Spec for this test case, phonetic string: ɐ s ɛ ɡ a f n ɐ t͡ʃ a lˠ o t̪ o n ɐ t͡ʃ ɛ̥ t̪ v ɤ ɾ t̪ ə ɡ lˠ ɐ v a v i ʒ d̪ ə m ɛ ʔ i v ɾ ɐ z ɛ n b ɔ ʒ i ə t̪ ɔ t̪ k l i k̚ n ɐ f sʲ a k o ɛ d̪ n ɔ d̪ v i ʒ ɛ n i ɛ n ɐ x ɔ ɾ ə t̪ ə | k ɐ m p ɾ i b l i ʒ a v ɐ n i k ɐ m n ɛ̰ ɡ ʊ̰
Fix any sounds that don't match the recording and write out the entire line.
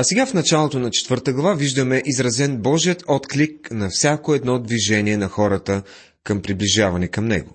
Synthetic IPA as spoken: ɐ s ɛ ɡ a f n ɐ t͡ʃ a lˠ o t̪ o n ɐ t͡ʃ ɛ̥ t̪ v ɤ ɾ t̪ ə ɡ lˠ ɐ v a v i ʒ d̪ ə m ɛ ʔ i z ɾ ɐ z ɛ n b ɔ ʒ i ə t̪ ɔ t̪ k l i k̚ n ɐ f sʲ a k o ɛ d̪ n ɔ d̪ v i ʒ ɛ n i ɛ n ɐ x ɔ ɾ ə t̪ ə | k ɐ m p ɾ i b l i ʒ a v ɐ n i k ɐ m n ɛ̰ ɡ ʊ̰